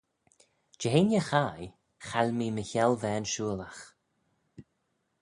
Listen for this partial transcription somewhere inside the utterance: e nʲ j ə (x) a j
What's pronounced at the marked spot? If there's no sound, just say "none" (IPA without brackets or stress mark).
x